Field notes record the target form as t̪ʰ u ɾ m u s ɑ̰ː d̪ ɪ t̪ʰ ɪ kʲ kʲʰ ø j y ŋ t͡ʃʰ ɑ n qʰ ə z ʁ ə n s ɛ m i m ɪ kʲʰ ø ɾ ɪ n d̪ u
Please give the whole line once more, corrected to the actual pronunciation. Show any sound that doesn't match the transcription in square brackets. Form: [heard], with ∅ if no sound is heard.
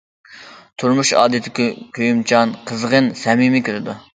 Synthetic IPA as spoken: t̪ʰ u ɾ m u [ʃ] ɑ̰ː d̪ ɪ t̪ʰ ɪ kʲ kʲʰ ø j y [m] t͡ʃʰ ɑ n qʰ ə z ʁ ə n s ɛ m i m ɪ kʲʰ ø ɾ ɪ [∅] d̪ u